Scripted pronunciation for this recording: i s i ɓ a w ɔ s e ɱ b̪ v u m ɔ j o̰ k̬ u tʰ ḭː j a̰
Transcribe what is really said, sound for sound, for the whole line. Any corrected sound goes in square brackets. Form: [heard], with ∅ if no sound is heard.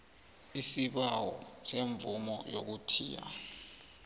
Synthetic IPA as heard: i s i ɓ a w ɔ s e ɱ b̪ v u m ɔ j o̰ k̬ u tʰ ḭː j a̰